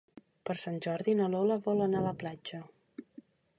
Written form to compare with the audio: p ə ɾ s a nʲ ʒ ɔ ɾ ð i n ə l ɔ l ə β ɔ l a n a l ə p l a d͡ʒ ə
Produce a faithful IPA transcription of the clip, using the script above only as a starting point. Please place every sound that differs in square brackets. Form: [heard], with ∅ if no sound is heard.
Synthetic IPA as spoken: p ə ɾ s a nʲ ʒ ɔ ɾ ð i n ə l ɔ l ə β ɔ l [ə] n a l ə p l a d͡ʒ ə